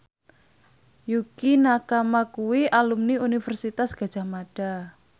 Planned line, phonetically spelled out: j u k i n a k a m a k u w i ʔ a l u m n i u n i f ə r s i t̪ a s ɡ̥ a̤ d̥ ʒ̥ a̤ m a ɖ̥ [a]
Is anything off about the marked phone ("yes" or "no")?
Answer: no